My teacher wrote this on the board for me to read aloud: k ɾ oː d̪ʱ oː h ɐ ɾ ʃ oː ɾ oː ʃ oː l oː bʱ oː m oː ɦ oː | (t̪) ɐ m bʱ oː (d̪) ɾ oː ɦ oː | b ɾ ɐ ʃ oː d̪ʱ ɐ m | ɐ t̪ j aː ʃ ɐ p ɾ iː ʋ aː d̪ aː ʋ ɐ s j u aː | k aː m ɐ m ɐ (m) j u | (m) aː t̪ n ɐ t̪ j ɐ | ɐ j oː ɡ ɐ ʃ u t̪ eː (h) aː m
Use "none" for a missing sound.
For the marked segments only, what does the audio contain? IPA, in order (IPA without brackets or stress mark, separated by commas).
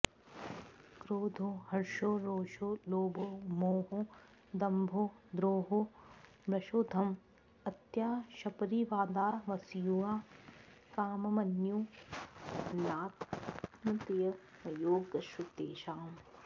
d̪, d̪, n, n, ʃ